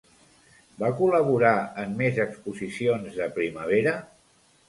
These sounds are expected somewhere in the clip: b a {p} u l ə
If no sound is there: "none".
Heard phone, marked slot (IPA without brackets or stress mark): k